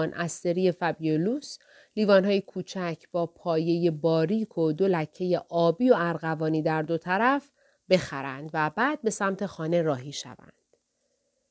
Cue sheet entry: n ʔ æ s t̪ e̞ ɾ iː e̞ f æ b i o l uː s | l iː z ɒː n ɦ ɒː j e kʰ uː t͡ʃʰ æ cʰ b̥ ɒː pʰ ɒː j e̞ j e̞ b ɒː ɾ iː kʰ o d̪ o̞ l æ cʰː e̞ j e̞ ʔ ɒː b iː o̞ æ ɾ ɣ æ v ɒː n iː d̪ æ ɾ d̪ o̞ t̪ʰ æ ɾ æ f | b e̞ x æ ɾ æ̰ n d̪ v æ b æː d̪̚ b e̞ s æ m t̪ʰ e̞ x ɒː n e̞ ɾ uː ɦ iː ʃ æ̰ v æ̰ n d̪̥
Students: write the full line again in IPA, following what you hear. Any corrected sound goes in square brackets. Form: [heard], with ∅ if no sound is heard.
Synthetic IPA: n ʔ æ s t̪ e̞ ɾ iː e̞ f æ b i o l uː s | l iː [v] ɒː n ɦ ɒː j e kʰ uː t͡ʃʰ æ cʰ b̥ ɒː pʰ ɒː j e̞ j e̞ b ɒː ɾ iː kʰ o d̪ o̞ l æ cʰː e̞ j e̞ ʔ ɒː b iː o̞ æ ɾ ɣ æ v ɒː n iː d̪ æ ɾ d̪ o̞ t̪ʰ æ ɾ æ f | b e̞ x æ ɾ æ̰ n d̪ v æ b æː d̪̚ b e̞ s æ m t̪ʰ e̞ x ɒː n e̞ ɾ [ɒː] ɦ iː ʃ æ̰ v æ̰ n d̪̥